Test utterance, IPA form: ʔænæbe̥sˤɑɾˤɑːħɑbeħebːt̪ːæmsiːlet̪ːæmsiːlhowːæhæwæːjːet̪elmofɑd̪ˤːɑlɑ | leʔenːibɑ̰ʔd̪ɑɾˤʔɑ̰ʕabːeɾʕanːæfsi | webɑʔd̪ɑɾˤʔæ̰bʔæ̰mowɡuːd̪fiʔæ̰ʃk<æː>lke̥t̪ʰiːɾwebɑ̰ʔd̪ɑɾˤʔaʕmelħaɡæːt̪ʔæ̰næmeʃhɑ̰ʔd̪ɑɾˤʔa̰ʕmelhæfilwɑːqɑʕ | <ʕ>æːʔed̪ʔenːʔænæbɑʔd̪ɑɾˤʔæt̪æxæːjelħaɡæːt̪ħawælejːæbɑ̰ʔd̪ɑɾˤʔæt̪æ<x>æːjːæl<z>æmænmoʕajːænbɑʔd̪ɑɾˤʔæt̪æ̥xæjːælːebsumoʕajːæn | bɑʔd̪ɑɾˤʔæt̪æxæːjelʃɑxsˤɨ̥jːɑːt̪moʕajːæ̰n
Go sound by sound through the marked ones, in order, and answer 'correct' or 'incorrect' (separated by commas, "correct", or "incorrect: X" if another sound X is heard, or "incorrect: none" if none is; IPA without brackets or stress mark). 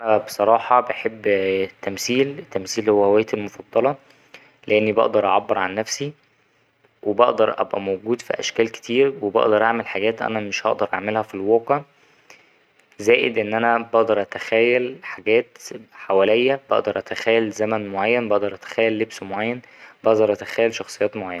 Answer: correct, incorrect: z, correct, correct